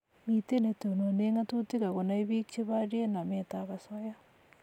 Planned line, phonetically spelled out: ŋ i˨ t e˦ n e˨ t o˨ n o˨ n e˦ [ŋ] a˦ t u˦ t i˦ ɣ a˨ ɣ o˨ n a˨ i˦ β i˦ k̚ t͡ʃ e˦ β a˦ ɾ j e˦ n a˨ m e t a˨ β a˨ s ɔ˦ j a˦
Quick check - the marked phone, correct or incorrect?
correct